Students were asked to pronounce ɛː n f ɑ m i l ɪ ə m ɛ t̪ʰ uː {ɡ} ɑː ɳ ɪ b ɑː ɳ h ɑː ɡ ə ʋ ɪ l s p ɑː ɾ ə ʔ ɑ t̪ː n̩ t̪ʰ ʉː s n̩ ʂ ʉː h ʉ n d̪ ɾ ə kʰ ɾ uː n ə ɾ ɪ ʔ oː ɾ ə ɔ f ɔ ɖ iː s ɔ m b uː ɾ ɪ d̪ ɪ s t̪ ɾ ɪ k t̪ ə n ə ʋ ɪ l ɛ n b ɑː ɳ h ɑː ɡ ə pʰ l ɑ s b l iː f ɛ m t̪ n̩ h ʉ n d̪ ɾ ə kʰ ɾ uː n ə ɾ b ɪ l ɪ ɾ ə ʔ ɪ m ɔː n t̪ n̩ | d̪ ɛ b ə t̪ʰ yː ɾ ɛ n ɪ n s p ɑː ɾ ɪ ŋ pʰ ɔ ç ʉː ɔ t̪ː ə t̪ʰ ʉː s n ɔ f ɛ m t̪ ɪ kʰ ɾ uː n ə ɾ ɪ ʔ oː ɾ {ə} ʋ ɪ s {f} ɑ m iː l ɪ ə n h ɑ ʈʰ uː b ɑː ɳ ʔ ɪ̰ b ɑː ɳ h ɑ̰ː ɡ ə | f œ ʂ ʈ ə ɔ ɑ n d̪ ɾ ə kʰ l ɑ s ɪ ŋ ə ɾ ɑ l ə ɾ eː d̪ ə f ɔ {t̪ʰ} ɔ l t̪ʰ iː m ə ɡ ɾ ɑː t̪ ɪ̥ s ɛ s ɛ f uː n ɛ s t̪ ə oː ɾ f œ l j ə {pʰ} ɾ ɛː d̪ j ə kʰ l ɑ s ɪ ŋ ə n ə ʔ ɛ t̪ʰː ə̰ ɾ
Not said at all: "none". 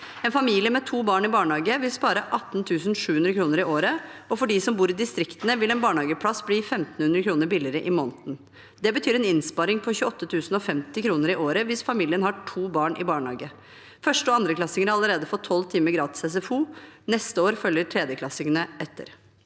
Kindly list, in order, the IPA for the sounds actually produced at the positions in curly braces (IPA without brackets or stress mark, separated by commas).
b, ə, f, t̪ʰ, ʈʰ